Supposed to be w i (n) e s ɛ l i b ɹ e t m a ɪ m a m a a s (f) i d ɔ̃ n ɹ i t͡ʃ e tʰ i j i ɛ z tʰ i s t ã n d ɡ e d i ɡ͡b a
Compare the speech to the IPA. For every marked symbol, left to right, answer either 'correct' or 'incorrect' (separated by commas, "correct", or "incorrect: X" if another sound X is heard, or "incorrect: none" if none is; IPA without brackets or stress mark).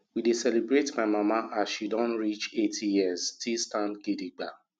incorrect: d, incorrect: ʃ